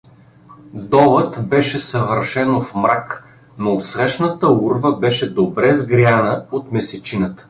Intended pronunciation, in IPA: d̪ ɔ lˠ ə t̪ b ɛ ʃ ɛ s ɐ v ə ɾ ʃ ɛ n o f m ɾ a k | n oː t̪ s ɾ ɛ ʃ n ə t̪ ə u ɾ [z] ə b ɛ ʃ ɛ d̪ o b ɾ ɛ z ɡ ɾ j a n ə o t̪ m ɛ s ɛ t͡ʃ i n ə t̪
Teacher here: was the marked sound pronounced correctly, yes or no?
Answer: no